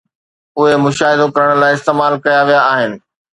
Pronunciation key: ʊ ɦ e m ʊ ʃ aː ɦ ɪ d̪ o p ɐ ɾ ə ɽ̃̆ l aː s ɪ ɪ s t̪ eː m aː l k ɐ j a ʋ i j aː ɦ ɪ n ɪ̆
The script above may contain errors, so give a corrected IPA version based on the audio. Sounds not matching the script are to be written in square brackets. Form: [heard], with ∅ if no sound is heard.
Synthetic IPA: ʊ ɦ e m ʊ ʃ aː ɦ ɪ d̪ o [k] ɐ ɾ ə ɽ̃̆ l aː [∅] ɪ ɪ s t̪ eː m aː l k ɐ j a ʋ i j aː ɦ ɪ n ɪ̆